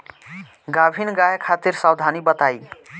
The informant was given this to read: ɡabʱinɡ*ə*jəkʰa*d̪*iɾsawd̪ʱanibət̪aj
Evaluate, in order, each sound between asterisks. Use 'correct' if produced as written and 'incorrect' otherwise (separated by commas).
incorrect, incorrect